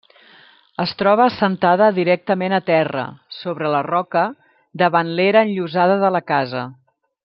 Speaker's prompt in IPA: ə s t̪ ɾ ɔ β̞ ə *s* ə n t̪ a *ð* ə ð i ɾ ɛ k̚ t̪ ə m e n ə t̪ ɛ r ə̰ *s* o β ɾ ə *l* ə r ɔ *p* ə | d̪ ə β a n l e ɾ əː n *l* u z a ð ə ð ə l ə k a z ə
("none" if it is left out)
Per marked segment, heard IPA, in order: s, ð, s, l, k, ʎ

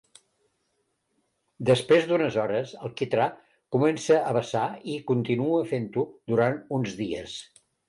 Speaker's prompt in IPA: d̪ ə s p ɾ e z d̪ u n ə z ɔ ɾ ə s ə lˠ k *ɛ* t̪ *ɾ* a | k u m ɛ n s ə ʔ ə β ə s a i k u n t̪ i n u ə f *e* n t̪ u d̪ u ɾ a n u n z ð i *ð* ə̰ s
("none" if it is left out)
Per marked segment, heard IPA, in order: i, ɾ, e, none

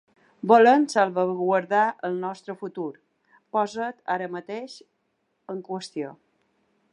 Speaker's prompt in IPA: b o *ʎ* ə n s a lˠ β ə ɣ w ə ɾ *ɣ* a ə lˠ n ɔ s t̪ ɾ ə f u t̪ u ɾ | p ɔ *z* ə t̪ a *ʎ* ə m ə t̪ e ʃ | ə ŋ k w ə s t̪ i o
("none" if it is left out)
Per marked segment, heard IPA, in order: l, ð, z, ɾ

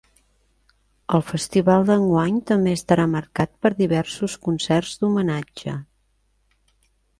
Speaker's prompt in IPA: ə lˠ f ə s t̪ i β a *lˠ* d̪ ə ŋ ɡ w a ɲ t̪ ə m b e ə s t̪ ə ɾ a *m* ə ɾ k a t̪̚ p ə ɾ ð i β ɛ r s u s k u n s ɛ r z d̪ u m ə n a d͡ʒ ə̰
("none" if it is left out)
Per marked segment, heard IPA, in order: lˠ, m

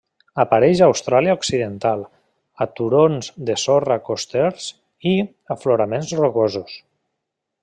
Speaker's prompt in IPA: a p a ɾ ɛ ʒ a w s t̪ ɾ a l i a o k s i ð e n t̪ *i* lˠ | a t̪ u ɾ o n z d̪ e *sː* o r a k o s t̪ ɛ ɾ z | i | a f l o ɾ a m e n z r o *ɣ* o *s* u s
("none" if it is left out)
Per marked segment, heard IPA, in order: a, s, ɣ, z

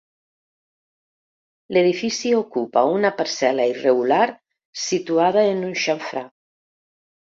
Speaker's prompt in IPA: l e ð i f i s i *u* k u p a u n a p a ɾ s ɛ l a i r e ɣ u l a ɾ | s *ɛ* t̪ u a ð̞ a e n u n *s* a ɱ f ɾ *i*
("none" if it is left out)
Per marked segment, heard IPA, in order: o, i, ʃ, a

